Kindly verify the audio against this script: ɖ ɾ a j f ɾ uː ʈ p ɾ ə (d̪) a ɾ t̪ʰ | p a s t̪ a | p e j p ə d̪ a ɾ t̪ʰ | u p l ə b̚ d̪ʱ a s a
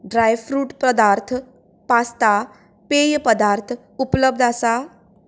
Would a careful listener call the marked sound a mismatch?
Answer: no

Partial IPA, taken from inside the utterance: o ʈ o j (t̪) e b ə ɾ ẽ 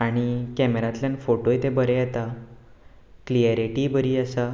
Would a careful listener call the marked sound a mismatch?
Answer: no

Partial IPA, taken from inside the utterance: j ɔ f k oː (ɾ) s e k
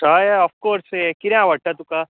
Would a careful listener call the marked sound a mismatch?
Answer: no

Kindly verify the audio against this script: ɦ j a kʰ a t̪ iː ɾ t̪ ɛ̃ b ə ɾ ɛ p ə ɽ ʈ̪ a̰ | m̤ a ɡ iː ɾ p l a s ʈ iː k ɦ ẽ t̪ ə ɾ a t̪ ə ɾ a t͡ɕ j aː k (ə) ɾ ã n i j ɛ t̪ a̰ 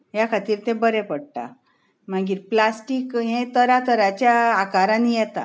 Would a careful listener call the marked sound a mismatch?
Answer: yes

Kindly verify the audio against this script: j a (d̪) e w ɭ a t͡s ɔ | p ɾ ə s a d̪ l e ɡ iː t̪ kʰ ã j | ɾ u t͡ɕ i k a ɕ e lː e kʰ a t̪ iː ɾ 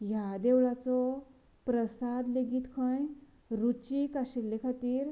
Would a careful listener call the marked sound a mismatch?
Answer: no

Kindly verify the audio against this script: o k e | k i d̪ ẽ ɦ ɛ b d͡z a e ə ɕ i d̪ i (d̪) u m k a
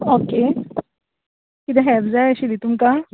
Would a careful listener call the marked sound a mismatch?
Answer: yes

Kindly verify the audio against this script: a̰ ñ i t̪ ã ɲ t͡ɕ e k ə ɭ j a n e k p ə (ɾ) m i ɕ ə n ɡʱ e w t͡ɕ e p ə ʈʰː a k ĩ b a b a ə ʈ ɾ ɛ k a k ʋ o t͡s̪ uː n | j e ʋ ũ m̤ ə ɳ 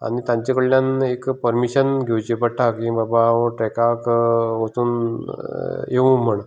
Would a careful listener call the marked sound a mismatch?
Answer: no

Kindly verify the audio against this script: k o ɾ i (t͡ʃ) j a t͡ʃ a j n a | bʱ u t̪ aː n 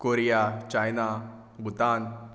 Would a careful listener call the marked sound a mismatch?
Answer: yes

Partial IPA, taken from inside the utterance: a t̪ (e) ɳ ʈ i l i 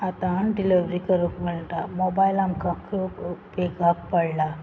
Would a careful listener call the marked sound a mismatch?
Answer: yes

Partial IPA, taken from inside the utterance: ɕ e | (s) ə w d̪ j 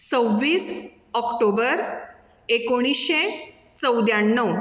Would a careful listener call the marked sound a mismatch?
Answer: yes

